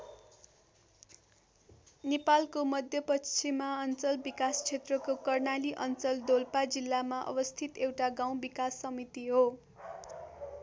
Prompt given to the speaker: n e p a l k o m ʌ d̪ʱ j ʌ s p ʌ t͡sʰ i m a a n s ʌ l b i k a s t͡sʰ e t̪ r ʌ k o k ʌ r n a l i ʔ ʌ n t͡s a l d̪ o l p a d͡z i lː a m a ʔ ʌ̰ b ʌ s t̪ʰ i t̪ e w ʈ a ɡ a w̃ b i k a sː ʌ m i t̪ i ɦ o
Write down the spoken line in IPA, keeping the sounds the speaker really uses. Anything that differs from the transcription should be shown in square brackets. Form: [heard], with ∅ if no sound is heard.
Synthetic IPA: n e p a l k o m ʌ d̪ʱ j ʌ [∅] p ʌ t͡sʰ i m a [ʌ] n [t͡s] ʌ l b i k a s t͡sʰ e t̪ r ʌ k o k ʌ r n a l i ʔ ʌ n t͡s [ʌ] l d̪ o l p a d͡z i lː a m a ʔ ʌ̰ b ʌ s t̪ʰ i t̪ e w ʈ a ɡ a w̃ b i k a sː ʌ m i t̪ i ɦ o